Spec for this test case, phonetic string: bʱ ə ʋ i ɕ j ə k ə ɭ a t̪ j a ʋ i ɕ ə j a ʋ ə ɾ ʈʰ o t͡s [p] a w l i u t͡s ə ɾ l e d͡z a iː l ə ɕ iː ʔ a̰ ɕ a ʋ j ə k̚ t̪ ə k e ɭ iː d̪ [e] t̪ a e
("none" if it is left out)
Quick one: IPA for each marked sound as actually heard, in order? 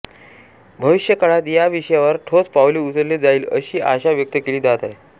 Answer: p, a

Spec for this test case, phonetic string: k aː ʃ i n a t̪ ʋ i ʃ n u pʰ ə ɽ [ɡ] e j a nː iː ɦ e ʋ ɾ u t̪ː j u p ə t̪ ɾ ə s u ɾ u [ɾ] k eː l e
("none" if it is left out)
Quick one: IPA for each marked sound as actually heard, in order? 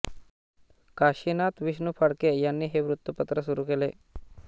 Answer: k, none

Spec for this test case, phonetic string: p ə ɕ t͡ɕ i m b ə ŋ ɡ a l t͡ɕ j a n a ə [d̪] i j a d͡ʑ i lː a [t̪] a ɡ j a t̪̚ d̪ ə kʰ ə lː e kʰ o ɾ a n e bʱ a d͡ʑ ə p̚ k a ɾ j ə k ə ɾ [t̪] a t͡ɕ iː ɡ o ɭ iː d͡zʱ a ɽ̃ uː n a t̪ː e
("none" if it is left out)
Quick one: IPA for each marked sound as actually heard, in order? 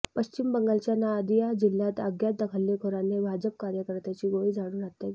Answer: d̪, t̪, t̪

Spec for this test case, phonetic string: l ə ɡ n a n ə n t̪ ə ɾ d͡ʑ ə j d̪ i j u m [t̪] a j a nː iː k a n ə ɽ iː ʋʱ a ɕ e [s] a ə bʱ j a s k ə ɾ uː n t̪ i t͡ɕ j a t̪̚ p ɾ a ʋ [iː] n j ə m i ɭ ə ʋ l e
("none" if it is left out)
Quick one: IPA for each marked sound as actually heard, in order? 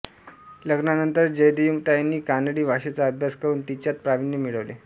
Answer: t̪, t͡s, i

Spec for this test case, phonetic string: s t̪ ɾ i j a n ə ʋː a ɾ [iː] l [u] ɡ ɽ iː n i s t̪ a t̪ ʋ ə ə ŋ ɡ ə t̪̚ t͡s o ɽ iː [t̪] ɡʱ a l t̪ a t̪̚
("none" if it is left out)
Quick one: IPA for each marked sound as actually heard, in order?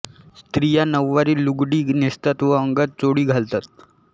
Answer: iː, u, none

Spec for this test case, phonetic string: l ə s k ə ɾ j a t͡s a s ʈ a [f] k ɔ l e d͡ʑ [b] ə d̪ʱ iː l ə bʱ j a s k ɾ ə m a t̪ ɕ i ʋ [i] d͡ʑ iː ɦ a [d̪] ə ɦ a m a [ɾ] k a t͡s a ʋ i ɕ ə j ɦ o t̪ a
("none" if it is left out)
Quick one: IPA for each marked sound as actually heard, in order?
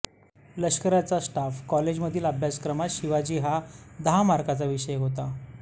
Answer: f, m, a, d̪, ɾ

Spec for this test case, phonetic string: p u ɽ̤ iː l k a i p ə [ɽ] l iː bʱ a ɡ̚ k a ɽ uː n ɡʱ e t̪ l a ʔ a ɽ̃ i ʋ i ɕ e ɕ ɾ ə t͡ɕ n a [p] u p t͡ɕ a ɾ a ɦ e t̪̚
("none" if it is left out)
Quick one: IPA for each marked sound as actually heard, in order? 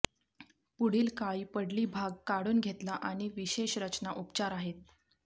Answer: ɽ, ʔ

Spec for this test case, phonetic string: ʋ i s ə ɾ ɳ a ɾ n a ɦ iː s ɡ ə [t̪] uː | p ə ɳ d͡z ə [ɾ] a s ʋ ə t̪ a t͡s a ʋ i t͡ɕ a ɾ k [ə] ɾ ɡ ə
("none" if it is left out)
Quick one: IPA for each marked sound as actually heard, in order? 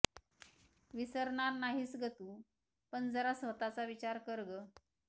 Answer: t̪, ɾ, ə

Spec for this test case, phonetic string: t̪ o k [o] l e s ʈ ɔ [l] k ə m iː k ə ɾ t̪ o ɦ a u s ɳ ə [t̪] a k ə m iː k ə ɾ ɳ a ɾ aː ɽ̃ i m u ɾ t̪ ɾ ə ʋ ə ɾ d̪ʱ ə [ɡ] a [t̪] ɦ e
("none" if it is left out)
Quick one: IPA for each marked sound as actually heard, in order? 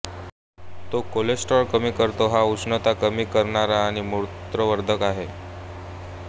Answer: o, ɾ, t̪, k, none

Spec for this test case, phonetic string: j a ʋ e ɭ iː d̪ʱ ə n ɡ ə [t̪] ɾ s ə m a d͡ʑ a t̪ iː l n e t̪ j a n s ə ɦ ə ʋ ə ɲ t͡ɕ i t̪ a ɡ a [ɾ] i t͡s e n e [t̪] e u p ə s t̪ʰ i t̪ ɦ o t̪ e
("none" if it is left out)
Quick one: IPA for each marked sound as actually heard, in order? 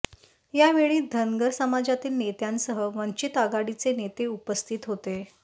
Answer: none, ɽ, t̪

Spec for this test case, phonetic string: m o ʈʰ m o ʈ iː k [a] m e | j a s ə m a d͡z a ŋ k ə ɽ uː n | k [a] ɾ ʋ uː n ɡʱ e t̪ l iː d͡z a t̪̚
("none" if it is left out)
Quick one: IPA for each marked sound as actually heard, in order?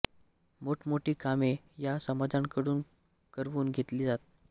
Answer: a, ə

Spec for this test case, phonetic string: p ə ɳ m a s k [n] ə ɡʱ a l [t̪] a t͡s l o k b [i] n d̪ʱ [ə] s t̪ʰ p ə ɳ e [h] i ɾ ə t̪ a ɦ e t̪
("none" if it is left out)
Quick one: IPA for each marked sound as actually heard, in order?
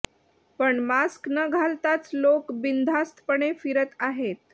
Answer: n, t̪, i, a, f

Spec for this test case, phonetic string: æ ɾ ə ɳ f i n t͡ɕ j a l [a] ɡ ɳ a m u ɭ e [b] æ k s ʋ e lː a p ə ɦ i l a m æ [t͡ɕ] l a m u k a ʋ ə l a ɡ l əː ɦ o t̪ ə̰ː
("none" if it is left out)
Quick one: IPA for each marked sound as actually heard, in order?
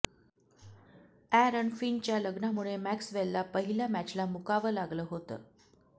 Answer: ə, m, t͡ɕ

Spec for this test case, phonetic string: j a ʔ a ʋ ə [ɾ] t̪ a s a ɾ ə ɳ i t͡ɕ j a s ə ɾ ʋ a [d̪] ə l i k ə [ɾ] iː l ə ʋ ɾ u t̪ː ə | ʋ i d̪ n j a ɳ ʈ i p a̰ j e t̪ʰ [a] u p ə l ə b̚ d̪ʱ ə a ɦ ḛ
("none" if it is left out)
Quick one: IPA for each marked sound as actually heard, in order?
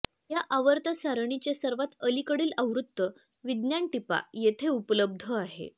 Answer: ɾ, t̪, ɽ, e

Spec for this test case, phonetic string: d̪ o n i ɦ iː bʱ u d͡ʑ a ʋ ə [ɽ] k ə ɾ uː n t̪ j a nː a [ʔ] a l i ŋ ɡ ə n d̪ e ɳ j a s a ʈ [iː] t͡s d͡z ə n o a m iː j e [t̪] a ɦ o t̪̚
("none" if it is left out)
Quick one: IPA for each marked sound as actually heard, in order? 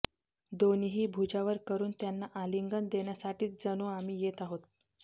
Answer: ɾ, ʔ, iː, t̪

